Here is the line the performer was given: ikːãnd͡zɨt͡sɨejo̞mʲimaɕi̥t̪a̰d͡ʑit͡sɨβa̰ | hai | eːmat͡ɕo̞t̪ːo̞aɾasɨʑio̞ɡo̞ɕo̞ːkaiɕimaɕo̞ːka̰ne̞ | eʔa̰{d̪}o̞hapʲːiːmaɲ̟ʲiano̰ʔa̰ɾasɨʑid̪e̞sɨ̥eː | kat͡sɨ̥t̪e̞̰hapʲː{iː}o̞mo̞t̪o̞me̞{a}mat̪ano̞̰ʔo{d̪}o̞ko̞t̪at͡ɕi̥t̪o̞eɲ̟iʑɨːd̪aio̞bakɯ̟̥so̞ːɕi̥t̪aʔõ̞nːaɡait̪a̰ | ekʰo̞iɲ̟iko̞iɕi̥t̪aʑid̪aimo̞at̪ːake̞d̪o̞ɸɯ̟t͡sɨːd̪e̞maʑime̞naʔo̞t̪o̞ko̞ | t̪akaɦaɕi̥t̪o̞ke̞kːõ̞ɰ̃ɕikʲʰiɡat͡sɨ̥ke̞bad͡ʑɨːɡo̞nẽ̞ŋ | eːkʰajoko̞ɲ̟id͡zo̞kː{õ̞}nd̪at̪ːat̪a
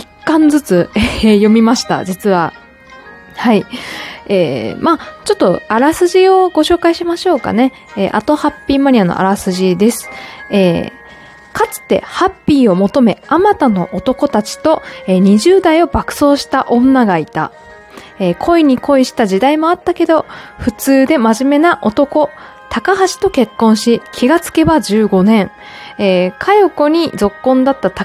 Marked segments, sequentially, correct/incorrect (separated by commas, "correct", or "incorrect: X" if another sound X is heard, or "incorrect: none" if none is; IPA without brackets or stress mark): incorrect: t̪, correct, correct, incorrect: t̪, correct